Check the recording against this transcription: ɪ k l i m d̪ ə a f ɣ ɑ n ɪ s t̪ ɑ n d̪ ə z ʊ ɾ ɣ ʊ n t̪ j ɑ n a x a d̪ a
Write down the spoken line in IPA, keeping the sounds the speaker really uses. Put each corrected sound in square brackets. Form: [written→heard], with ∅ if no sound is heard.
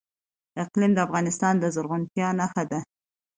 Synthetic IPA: ɪ [k→q] l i m d̪ ə a f ɣ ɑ n ɪ s t̪ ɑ n d̪ ə z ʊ ɾ ɣ ʊ n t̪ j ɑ n a x a d̪ a

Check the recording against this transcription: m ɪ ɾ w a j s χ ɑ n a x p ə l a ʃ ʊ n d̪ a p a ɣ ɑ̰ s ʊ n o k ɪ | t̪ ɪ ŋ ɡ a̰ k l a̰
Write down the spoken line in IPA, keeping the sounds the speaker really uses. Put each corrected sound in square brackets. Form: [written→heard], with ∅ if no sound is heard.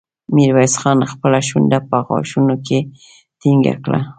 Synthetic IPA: m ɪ ɾ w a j s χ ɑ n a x p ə l a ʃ ʊ n d̪ a p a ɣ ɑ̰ [s→ʃ] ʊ n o k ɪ | t̪ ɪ ŋ ɡ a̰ k l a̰

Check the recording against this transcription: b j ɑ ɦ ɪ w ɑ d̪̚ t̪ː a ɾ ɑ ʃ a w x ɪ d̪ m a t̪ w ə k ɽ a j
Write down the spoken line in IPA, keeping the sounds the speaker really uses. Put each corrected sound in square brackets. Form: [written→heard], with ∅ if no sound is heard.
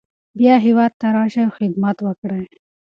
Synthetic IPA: b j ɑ ɦ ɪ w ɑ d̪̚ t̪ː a ɾ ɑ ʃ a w x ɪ d̪ m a t̪ w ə k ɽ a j

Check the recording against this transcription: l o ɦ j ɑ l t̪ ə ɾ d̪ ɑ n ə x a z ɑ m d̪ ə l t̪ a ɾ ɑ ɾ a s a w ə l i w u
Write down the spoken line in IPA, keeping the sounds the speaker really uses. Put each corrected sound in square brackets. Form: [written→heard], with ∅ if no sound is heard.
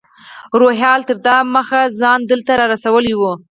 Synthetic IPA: [l→ɾ] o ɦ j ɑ l t̪ ə ɾ d̪ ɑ [n→m] ə x a z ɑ [m→n] d̪ ə l t̪ a ɾ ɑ ɾ a s a w ə l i w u

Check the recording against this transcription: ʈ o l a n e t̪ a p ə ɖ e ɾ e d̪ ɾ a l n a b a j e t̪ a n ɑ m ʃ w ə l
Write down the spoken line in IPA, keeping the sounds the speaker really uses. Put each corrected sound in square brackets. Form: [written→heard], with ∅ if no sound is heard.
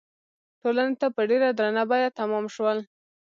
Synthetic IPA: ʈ o l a n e t̪ a p ə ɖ e ɾ [e→a] d̪ ɾ a [l→∅] n a b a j [e→a] t̪ a [n→m] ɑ m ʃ w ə l

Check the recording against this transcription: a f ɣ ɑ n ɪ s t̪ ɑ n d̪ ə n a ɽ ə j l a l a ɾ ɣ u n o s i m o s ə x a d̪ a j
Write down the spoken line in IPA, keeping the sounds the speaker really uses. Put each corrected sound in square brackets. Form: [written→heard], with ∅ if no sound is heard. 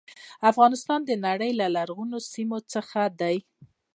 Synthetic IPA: a f ɣ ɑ n ɪ s t̪ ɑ n d̪ ə n a ɽ ə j l a l a ɾ ɣ u n o s i m o [s→t͡s] ə x a d̪ a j

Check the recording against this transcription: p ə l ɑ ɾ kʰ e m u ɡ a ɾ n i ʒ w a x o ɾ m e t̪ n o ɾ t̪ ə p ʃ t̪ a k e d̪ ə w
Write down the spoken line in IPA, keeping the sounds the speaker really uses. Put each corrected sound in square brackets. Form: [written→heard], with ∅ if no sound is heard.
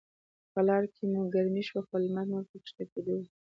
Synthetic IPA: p ə l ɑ ɾ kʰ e m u ɡ a ɾ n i [ʒ→ʃ] w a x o [ɾ→l] m [e→a] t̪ n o ɾ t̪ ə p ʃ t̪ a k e d̪ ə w

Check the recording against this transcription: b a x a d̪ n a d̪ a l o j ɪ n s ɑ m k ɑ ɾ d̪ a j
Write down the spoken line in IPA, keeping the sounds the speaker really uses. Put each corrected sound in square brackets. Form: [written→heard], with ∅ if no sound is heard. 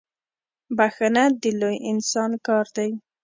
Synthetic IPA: b a x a [d̪→∅] n a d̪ [a→ə] l o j ɪ n s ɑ [m→n] k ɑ ɾ d̪ a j

